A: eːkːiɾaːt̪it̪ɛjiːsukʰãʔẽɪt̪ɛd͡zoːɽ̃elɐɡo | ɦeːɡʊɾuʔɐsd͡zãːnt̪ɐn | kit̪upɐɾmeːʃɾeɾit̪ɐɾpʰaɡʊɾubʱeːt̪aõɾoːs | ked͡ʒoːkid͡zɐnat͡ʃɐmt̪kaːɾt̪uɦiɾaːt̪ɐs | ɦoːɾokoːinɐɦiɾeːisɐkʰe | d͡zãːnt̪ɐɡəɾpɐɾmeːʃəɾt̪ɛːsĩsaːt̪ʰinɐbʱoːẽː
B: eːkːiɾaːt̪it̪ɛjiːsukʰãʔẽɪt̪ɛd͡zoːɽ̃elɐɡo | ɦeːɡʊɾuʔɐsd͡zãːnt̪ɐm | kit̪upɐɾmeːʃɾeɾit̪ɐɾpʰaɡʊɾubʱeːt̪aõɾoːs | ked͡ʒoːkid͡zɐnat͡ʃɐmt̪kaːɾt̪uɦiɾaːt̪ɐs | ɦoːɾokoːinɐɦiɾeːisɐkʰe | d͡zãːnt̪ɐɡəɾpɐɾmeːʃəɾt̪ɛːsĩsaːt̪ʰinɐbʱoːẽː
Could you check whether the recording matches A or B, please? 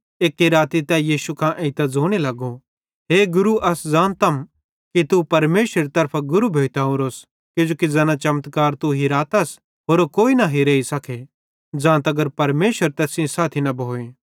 B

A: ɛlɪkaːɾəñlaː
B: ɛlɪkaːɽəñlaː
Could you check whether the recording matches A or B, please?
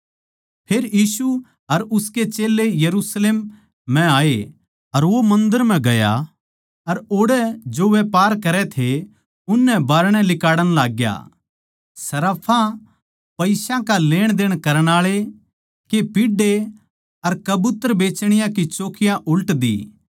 B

